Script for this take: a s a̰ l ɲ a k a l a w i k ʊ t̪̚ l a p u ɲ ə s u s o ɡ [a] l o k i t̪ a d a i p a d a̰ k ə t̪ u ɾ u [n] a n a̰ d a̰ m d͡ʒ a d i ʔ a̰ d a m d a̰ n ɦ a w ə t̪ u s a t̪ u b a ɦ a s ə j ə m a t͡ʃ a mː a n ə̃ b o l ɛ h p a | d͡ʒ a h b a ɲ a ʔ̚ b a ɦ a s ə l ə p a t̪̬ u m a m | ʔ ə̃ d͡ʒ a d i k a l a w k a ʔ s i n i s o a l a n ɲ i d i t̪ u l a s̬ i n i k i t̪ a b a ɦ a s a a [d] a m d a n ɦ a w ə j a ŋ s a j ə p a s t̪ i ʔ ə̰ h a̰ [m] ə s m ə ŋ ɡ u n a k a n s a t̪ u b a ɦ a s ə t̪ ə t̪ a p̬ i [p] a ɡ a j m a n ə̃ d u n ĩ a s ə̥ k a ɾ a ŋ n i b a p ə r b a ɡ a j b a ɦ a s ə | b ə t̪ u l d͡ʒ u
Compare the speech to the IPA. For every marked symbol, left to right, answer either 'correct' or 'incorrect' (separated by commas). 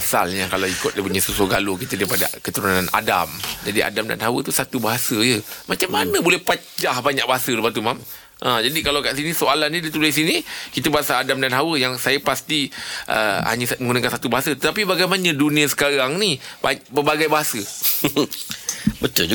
correct, correct, correct, incorrect, incorrect